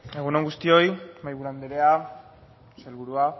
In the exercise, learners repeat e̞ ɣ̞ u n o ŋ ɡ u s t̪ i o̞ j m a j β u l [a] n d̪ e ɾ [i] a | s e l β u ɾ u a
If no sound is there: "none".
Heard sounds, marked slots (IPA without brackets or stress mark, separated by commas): a, e